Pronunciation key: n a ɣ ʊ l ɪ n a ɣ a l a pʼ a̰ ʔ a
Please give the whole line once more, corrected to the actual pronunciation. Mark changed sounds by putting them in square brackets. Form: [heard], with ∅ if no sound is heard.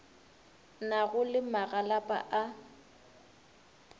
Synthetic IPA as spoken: n a ɣ ʊ l ɪ [m] a ɣ a l a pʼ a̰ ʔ a